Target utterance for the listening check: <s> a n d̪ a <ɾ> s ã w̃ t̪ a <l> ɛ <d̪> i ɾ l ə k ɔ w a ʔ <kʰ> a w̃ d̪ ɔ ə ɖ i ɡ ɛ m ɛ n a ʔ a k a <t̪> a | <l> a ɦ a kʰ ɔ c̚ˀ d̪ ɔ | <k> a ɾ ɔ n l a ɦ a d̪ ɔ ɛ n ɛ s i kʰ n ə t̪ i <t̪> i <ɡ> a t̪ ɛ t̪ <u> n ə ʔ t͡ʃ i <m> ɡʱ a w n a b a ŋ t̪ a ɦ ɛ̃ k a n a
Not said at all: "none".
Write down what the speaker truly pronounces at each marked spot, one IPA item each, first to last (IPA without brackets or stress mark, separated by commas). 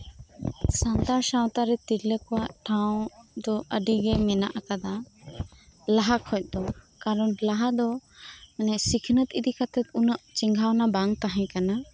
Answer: s, ɾ, ɾ, t̪, ʈʰ, d̪, l, k, d̪, k, u, ŋ